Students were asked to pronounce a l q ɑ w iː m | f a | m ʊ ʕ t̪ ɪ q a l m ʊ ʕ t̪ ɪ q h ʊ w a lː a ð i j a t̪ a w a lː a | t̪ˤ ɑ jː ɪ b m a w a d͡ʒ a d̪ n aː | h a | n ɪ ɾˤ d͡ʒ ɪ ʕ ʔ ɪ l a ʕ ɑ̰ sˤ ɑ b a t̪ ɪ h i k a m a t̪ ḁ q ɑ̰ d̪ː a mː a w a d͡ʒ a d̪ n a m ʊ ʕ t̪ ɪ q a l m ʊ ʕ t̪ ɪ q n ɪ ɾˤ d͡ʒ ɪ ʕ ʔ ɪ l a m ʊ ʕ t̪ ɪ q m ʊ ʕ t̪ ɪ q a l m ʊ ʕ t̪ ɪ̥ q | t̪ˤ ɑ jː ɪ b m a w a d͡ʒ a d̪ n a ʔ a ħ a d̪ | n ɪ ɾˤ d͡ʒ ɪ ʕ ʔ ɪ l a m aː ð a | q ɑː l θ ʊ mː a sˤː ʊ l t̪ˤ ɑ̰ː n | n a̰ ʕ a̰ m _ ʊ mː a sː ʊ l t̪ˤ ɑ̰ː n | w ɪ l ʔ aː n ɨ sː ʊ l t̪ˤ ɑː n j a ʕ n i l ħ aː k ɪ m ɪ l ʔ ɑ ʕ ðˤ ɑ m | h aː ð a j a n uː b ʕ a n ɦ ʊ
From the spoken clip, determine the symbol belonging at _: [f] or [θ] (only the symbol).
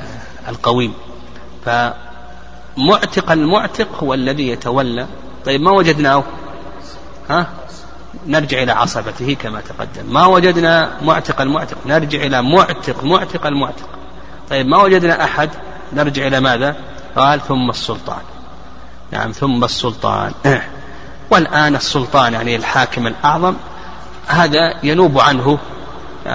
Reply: θ